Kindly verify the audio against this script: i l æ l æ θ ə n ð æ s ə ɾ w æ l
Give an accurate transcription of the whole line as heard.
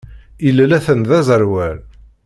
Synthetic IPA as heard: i l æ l æ θ ə n ð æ z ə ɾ w æ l